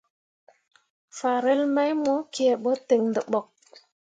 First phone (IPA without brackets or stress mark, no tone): f